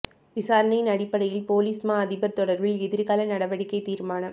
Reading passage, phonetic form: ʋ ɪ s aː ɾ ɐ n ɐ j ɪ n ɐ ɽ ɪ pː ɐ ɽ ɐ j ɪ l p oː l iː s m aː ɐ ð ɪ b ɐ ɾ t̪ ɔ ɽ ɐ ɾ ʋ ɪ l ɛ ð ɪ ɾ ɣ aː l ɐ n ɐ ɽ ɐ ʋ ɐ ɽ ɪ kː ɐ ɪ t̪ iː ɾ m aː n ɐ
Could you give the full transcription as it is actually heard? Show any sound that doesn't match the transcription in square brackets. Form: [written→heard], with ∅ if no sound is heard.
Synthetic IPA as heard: ʋ ɪ s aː ɾ ɐ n ɐ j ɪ n ɐ ɽ ɪ pː ɐ ɽ ɐ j ɪ l p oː l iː s m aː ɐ ð ɪ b ɐ ɾ t̪ ɔ ɽ ɐ ɾ ʋ ɪ l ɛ ð ɪ ɾ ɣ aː l ɐ n ɐ ɽ ɐ ʋ ɐ ɽ ɪ kː ɐ ɪ t̪ iː ɾ m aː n ɐ